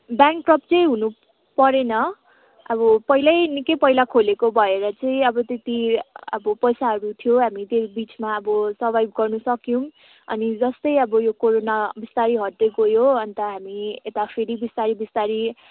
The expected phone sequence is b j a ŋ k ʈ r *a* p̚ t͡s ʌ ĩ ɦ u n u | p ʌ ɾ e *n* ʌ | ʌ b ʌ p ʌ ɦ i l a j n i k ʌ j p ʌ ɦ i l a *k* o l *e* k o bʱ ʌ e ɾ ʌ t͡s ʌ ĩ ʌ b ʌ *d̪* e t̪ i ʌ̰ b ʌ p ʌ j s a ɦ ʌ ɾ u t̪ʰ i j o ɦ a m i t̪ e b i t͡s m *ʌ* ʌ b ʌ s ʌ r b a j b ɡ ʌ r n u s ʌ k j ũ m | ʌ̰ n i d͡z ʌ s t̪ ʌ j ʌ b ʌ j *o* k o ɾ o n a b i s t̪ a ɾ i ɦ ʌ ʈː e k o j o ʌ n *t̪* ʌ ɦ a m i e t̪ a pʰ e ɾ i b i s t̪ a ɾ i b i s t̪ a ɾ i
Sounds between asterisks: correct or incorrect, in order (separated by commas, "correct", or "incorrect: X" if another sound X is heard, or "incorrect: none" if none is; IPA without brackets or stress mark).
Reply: incorrect: ʌ, correct, incorrect: kʰ, correct, incorrect: t̪, incorrect: a, correct, correct